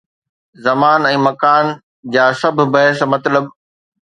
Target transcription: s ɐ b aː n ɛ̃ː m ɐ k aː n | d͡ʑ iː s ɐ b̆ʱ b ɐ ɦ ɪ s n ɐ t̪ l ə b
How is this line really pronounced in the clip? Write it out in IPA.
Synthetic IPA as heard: z ɐ m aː n ɛ̃ː m ɐ k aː n | d͡ʑ aː s ɐ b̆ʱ b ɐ ɦ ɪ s m ɐ t̪ l ə b